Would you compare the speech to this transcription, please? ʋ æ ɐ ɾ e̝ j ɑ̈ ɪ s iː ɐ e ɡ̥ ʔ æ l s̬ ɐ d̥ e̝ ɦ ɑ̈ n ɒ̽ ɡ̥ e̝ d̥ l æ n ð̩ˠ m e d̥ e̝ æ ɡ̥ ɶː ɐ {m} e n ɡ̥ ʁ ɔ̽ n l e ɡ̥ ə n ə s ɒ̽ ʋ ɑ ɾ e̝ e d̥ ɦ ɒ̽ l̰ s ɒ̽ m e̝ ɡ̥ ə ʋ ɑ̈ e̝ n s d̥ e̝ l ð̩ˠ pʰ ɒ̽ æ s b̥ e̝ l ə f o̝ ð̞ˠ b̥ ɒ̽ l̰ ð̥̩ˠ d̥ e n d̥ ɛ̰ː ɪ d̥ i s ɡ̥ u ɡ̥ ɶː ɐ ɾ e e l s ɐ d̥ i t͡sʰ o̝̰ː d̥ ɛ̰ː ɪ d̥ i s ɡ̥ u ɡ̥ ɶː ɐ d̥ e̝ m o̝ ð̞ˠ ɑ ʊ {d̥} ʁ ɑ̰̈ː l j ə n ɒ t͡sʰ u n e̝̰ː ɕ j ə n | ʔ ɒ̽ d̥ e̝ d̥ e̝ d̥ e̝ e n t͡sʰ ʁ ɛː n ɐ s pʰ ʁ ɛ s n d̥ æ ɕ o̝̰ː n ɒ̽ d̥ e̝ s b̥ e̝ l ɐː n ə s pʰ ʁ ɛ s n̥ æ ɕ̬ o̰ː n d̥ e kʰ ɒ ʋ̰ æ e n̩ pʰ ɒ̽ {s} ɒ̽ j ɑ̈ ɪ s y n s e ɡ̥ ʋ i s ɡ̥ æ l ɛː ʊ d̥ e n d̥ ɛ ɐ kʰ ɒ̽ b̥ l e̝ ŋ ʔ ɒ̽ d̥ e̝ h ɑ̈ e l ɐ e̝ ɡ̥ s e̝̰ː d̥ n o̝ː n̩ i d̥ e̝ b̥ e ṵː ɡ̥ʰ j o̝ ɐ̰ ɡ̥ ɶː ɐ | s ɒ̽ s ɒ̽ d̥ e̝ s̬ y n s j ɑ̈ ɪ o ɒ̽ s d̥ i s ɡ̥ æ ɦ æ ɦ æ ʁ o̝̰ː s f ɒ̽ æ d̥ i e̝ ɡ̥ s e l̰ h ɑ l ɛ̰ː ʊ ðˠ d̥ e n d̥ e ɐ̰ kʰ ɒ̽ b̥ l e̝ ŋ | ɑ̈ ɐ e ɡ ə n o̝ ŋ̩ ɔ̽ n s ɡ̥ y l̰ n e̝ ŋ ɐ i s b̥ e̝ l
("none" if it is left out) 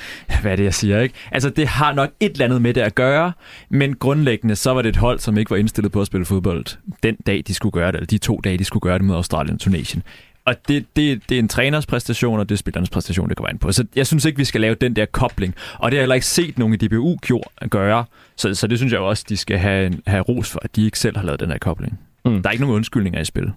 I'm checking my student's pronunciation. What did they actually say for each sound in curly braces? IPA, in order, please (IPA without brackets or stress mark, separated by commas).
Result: m, d̥, s